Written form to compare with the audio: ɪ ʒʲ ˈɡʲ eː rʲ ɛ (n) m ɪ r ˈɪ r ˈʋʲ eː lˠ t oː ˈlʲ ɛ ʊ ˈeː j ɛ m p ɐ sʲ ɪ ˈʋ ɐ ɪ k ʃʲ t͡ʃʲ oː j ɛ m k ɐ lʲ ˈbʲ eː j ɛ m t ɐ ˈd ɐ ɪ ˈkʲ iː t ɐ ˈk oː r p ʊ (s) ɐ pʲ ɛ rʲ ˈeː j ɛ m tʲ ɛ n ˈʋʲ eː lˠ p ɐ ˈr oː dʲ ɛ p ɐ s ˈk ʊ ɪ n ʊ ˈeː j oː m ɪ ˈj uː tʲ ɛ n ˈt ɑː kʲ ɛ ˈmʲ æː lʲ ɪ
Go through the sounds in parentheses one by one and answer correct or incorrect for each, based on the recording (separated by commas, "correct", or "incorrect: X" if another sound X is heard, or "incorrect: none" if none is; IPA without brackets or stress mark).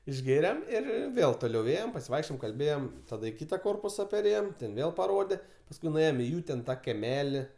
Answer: incorrect: none, correct